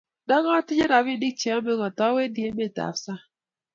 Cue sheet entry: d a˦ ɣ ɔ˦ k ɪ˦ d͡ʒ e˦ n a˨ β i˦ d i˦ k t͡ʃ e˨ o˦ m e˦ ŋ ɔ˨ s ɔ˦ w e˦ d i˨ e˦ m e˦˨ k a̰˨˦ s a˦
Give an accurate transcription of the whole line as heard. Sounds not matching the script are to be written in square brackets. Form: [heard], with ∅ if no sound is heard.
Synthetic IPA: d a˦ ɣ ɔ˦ [t] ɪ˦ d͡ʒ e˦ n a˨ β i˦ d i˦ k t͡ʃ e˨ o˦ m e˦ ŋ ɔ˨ [t] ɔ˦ w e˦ d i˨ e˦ m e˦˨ [t] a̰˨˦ s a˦